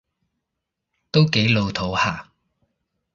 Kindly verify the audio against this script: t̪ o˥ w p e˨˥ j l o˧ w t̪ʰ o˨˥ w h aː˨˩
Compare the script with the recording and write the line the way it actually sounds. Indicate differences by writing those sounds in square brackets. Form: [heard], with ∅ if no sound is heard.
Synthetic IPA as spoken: t̪ o˥ w [k] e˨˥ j l o˧ w t̪ʰ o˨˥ w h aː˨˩